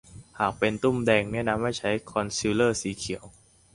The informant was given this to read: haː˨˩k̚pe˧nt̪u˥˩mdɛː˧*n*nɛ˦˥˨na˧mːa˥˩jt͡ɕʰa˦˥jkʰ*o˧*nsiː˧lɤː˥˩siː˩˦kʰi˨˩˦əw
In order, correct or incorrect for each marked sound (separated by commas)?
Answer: incorrect, incorrect